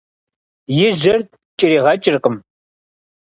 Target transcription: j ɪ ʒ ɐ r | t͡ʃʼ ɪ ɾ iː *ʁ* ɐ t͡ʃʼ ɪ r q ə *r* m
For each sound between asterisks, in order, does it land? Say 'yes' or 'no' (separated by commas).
yes, no